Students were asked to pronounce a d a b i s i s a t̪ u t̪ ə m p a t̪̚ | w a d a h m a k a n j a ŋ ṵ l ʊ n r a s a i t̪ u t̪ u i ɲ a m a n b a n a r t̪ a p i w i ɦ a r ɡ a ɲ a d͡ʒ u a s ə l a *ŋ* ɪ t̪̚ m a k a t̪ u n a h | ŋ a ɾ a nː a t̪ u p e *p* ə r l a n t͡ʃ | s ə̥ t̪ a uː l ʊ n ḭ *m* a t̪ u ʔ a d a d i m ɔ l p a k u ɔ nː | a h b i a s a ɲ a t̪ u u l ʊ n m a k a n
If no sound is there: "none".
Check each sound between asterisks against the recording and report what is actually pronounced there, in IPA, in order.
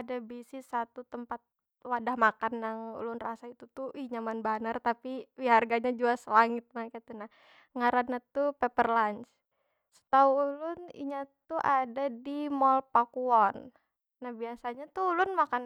ŋ, p, ɲ

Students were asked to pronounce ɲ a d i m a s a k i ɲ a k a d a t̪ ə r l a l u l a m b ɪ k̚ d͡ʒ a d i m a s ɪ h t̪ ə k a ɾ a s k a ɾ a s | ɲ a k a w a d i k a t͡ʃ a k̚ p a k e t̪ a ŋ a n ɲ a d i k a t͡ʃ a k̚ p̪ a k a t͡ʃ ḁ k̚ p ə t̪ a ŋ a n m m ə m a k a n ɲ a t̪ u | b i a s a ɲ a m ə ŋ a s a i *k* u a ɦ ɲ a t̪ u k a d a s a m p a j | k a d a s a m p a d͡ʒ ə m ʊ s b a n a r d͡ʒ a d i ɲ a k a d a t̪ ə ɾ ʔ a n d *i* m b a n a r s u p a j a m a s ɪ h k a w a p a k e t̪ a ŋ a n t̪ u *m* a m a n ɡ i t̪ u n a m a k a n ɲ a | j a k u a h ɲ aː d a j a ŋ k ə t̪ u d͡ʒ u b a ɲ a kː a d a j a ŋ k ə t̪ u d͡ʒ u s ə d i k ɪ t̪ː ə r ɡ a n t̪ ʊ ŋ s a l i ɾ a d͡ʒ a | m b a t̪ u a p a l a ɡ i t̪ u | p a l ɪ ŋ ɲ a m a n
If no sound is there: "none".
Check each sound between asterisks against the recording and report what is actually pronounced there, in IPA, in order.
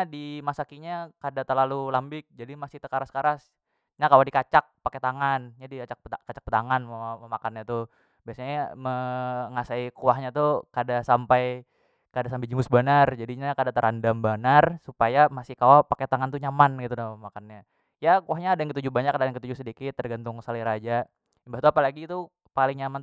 k, a, ɲ

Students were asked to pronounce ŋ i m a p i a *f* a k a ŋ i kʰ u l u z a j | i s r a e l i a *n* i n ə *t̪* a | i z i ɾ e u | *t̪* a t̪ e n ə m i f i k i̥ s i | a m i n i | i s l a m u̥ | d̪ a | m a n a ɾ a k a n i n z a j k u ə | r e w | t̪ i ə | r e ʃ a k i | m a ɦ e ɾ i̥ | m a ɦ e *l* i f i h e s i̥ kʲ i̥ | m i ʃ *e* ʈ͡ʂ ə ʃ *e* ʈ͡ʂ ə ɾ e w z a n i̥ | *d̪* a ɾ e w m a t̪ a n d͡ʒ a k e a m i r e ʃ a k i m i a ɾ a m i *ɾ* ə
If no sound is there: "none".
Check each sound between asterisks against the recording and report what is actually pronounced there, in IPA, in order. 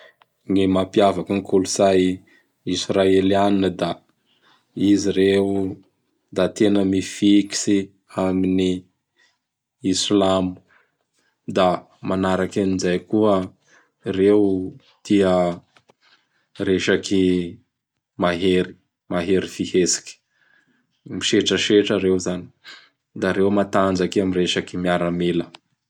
v, n, d̪, d̪, ɾ, e, e, d̪, l

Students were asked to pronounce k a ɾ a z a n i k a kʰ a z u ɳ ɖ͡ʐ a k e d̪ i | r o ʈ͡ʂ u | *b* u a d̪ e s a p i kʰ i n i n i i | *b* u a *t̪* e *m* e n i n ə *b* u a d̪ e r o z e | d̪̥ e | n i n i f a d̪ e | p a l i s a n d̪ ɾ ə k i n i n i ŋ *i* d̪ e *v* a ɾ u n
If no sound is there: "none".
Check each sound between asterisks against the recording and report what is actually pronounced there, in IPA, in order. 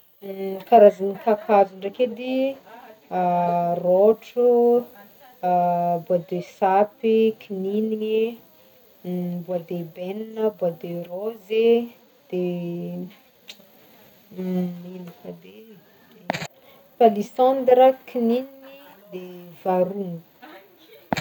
b, b, d̪, b, b, i, v

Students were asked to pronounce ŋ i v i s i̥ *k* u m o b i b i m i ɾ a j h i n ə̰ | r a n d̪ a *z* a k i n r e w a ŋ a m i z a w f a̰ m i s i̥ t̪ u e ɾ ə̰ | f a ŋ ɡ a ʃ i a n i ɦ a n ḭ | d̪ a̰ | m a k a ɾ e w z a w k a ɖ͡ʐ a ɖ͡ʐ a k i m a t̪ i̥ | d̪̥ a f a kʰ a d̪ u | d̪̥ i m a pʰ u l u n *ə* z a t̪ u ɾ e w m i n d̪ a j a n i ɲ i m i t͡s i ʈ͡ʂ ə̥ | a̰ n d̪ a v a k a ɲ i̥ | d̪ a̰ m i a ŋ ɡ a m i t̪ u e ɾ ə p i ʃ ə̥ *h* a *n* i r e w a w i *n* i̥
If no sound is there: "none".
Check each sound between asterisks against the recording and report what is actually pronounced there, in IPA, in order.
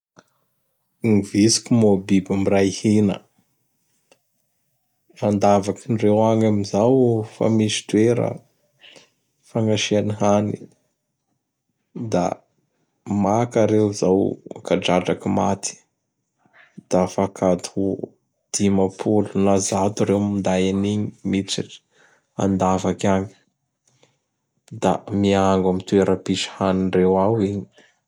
k, v, a, h, n, ɲ

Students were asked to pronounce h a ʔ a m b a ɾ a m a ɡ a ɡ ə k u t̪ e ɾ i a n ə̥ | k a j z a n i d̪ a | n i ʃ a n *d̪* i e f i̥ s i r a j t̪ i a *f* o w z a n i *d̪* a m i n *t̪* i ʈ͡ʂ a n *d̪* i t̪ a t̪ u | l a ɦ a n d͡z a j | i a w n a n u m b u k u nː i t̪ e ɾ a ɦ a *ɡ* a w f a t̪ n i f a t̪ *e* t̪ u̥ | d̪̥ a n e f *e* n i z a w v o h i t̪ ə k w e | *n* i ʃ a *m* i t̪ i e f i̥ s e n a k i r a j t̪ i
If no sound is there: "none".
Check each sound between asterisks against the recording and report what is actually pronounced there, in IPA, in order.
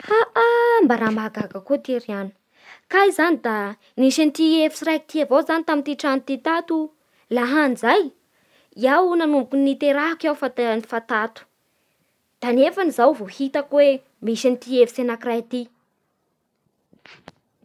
t̪, v, t̪, t̪, t̪, k, a, a, m, n

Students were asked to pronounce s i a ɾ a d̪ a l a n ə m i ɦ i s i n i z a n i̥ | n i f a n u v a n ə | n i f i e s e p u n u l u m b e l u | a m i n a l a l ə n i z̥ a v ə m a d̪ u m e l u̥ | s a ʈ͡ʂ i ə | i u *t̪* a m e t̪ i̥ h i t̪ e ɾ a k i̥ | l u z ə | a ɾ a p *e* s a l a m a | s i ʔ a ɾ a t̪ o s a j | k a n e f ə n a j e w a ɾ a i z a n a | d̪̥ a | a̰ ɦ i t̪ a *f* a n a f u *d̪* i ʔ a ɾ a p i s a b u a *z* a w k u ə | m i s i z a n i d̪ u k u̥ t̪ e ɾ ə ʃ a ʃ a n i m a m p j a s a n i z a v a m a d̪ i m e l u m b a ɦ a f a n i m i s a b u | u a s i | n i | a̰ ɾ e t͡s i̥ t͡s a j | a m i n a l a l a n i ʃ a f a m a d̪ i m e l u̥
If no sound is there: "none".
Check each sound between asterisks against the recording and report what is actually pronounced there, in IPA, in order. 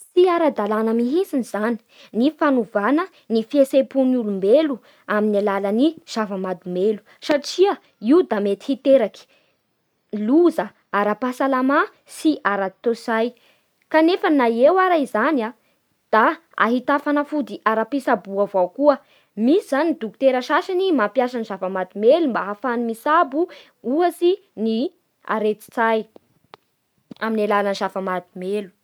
d̪, a, f, d̪, v

